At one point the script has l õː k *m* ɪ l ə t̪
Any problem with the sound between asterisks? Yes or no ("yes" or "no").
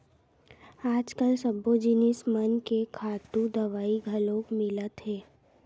no